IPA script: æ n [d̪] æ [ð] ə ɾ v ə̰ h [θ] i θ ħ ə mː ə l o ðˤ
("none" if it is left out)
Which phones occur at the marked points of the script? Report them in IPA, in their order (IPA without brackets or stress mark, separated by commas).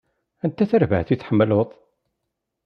t̪, θ, θ